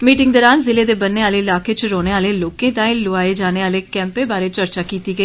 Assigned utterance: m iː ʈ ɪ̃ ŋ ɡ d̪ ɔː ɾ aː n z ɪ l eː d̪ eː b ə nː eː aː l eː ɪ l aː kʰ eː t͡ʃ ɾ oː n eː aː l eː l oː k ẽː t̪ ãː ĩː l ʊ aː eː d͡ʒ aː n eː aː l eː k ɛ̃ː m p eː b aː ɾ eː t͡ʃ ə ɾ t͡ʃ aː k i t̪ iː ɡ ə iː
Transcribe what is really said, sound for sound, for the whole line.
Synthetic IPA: m iː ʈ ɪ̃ ŋ ɡ d̪ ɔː ɾ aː n z ɪ l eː d̪ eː b ə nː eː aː l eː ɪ l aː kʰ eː t͡ʃ ɾ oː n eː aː l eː l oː k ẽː t̪ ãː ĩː l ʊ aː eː d͡ʒ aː n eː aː l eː k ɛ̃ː m p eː b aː ɾ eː t͡ʃ ə ɾ t͡ʃ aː k iː t̪ iː ɡ ə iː